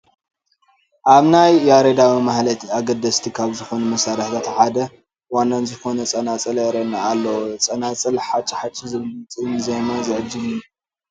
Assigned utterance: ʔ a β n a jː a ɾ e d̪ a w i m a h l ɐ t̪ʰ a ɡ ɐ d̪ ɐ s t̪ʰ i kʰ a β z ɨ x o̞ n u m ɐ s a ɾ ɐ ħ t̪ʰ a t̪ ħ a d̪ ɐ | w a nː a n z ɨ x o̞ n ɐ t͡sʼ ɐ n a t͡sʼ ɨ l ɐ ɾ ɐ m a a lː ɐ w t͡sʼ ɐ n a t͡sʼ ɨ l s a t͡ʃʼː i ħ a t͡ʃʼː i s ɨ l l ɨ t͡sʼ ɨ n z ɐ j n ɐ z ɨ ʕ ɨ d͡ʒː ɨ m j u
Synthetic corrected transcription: ʔ a β n a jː a ɾ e d̪ a w i m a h l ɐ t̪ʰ a ɡ ɐ d̪ ɐ s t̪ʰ i kʰ a β z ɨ x o̞ n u m ɐ s a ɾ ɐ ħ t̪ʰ a t̪ ħ a d̪ ɐ | w a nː a n z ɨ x o̞ n ɐ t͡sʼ ɐ n a t͡sʼ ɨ l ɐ ɾ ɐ n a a lː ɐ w t͡sʼ ɐ n a t͡sʼ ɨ l ħ a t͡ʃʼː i ħ a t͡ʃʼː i z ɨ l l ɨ t͡sʼ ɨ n z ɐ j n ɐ z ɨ ʕ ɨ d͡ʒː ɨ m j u